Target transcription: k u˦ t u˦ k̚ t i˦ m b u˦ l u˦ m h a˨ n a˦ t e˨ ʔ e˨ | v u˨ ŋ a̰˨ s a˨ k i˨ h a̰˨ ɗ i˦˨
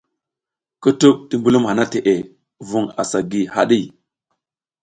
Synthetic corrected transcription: k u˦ t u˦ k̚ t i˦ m b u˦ l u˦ m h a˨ n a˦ t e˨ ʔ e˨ | v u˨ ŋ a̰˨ s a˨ ɡ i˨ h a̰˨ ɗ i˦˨